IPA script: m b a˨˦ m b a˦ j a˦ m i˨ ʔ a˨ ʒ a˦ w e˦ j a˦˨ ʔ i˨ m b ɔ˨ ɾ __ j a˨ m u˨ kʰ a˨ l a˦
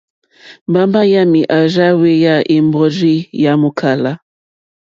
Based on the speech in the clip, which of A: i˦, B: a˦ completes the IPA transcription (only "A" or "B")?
A